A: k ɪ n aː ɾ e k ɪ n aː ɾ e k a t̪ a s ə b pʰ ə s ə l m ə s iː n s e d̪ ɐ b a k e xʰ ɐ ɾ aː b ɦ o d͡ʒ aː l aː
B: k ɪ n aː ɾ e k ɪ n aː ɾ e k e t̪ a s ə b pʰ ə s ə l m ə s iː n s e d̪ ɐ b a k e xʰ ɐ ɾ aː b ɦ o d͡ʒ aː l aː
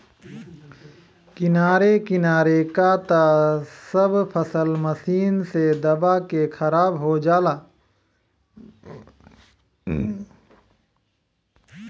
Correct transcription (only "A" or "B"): A